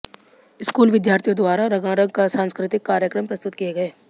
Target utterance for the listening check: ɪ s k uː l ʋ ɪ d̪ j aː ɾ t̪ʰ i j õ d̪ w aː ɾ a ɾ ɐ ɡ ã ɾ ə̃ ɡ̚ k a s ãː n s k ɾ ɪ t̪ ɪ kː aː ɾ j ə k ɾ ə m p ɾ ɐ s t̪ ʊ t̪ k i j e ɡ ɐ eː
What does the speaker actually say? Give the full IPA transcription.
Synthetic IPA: ɪ s k uː l ʋ ɪ d̪ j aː ɾ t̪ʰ i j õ d̪ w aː ɾ a ɾ ɐ ɡ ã ɾ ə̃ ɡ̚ k a s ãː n s k ɾ ɪ t̪ ɪ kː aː ɾ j ə k ɾ ə m p ɾ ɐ s t̪ ʊ t̪ k i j e ɡ ɐ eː